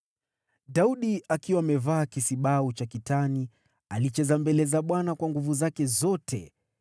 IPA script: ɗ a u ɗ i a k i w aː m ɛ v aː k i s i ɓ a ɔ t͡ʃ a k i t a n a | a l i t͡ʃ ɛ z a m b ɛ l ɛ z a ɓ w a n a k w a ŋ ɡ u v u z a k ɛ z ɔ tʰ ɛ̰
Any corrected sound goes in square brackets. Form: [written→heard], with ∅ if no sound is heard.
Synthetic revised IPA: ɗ a u ɗ i a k i w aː m ɛ v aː k i s i ɓ a [ɔ→u] t͡ʃ a k i t a n [a→i] | a l i t͡ʃ ɛ z a m b ɛ l ɛ z a ɓ w a n a k w a ŋ ɡ u v u z a k ɛ z ɔ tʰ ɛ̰